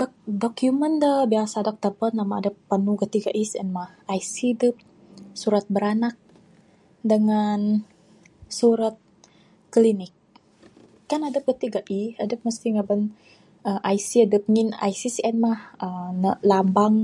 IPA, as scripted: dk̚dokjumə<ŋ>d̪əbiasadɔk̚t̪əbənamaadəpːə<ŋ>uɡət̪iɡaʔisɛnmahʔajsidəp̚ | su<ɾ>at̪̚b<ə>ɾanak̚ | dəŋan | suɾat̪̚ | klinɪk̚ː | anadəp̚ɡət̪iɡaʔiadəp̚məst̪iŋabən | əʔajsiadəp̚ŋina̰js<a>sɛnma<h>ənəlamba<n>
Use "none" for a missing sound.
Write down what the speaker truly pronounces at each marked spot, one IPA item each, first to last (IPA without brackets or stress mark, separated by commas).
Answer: n, n, ɾ, ə, i, h, ŋ